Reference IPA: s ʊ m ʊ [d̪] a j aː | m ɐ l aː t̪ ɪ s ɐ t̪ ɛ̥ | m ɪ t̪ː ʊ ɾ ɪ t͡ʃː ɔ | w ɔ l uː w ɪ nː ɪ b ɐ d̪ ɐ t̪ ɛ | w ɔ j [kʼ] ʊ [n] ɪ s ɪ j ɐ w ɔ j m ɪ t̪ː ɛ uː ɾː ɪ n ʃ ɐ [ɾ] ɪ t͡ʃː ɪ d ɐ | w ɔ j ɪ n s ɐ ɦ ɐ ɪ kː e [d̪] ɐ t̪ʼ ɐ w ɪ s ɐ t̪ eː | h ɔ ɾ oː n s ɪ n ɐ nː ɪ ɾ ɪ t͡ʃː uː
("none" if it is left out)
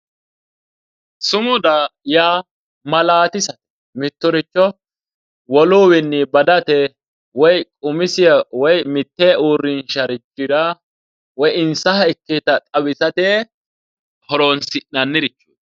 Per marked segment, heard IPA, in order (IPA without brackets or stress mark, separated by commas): d̪, kʼ, m, ɾ, t̪